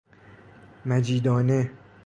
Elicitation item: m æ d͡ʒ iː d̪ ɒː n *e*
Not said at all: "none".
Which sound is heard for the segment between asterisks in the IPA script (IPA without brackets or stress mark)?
e